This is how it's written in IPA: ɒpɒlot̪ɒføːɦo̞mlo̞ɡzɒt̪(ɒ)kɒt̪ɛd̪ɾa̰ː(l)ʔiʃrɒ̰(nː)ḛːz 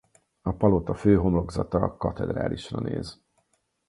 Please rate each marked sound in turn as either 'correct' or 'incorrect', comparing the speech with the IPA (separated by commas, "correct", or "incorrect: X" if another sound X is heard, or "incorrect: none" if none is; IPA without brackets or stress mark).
correct, correct, incorrect: n